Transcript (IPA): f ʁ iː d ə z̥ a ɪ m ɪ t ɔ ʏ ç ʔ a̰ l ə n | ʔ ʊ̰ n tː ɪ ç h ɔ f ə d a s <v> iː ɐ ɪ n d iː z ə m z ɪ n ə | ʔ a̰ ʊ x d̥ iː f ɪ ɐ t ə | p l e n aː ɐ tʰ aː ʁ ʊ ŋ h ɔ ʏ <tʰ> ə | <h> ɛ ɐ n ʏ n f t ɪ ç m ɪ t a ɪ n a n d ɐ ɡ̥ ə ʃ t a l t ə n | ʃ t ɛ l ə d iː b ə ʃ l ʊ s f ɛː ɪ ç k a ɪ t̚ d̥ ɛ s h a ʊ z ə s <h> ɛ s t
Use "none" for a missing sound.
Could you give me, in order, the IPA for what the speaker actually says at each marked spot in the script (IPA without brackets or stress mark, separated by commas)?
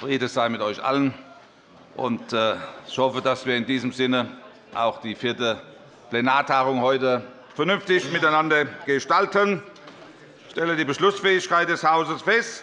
v, t, f, f